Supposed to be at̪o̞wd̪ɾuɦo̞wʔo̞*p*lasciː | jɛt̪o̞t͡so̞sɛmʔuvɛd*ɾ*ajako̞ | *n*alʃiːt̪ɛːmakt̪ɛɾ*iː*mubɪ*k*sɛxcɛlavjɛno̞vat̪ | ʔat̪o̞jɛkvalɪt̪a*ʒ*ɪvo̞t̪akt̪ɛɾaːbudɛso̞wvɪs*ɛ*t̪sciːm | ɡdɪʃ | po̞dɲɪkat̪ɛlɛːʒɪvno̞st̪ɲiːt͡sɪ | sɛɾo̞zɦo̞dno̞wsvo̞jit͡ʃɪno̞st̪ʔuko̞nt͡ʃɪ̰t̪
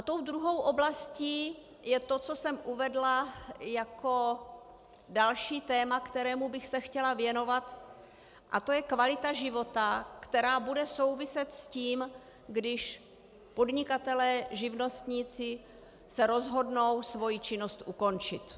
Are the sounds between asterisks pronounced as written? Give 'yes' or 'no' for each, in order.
no, no, no, no, no, yes, yes

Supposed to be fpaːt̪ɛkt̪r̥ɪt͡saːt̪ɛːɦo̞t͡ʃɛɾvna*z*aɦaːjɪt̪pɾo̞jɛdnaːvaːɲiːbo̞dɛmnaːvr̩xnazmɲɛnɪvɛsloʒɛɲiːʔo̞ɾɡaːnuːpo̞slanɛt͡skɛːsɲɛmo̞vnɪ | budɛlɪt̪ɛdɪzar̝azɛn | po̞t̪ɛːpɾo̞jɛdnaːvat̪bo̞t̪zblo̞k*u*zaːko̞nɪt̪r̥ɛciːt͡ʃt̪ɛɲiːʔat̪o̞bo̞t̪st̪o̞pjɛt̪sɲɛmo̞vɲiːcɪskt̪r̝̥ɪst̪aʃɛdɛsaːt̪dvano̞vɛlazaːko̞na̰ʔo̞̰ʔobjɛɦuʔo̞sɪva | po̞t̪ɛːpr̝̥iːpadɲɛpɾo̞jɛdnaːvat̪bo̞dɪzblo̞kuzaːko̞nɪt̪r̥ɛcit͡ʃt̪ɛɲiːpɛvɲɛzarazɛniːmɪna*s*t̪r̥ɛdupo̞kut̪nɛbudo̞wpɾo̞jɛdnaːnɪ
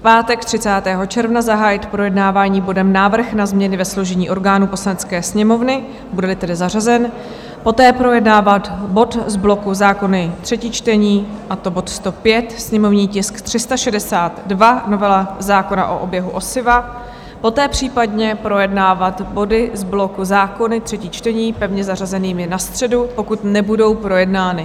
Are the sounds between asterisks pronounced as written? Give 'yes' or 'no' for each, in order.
yes, yes, yes

